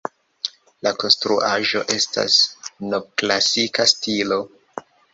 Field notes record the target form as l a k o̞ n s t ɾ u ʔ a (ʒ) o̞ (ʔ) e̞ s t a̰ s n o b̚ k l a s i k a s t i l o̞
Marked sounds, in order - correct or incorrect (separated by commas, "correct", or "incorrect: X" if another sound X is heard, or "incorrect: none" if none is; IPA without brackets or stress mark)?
correct, correct